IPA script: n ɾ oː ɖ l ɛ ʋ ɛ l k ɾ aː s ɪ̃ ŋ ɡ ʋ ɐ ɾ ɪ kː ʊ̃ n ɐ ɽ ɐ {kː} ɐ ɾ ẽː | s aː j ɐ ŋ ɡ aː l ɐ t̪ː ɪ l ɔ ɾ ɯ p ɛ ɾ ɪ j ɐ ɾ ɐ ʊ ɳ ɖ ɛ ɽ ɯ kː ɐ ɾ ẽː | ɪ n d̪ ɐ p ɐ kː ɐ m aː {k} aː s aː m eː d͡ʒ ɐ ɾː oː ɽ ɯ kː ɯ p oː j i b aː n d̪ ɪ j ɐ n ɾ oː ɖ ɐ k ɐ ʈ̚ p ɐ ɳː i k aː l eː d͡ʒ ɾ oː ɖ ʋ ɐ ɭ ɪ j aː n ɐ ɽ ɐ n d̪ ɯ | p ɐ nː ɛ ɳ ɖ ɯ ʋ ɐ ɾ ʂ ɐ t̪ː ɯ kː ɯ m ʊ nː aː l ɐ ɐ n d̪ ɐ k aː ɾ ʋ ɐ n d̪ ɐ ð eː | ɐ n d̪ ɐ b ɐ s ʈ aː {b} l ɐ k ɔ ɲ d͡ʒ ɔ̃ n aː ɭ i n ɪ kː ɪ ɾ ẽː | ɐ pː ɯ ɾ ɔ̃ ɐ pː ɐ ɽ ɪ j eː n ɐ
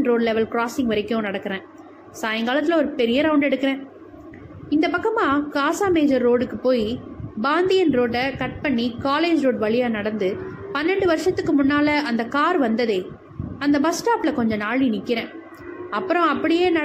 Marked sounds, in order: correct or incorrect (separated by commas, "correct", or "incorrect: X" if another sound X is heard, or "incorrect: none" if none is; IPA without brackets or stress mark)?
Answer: correct, correct, incorrect: p